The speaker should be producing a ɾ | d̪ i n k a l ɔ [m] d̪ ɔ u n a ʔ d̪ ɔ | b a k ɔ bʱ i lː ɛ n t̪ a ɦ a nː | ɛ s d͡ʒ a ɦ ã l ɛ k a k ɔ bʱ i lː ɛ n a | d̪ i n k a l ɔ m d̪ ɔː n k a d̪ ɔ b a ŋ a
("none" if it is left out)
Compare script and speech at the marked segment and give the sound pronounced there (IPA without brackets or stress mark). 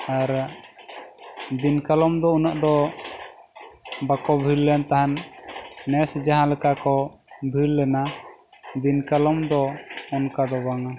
m